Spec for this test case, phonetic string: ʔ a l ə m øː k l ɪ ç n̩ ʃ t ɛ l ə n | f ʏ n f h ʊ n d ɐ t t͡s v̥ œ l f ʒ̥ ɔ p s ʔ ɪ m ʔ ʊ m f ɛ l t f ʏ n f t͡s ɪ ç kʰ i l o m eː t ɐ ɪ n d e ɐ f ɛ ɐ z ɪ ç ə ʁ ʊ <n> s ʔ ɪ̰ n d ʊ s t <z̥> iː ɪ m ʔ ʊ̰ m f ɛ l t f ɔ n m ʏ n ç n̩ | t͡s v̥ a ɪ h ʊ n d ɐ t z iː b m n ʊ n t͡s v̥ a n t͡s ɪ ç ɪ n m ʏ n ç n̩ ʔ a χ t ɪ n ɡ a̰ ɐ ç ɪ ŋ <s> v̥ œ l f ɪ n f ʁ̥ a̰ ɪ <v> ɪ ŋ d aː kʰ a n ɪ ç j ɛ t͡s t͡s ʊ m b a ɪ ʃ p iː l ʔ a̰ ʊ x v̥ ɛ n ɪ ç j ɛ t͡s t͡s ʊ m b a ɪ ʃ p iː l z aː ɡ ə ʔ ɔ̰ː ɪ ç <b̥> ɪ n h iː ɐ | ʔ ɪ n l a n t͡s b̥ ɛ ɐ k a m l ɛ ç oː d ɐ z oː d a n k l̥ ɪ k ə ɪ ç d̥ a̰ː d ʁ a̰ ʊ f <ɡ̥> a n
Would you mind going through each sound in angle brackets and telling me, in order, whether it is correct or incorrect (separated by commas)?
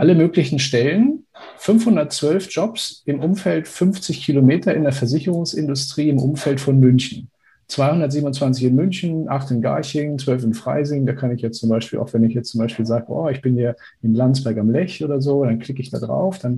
incorrect, incorrect, incorrect, incorrect, correct, incorrect